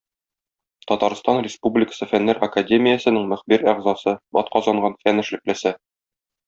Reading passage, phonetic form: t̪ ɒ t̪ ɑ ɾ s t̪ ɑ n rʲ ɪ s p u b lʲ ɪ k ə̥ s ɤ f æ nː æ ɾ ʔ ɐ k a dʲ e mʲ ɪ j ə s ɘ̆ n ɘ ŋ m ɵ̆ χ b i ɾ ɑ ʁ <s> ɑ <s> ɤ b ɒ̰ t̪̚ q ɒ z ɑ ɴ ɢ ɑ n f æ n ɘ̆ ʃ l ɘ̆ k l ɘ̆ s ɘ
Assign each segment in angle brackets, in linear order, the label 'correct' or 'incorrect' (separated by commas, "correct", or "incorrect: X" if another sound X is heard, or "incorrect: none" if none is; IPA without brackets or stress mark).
incorrect: z, correct